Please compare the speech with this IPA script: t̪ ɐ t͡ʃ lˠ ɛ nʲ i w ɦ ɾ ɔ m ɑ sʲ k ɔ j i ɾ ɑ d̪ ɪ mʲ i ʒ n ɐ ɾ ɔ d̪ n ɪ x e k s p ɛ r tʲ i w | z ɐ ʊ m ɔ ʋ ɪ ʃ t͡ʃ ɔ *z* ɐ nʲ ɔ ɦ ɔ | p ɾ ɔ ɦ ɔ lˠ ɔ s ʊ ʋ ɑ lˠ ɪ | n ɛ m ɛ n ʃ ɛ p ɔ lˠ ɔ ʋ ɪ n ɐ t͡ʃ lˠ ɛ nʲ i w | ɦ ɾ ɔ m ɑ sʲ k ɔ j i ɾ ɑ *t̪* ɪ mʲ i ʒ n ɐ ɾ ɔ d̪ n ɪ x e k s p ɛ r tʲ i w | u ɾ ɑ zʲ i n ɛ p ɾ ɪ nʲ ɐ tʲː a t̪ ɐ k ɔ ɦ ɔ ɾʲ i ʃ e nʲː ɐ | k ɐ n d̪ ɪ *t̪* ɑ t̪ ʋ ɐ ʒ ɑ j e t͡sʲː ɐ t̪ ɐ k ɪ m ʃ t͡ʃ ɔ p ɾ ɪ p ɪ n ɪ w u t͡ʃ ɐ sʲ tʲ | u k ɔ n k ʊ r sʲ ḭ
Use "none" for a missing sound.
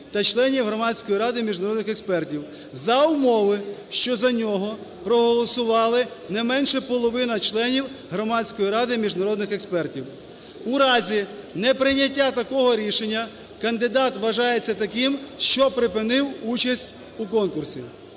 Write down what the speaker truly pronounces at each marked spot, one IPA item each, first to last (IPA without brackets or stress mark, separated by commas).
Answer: z, d̪, d̪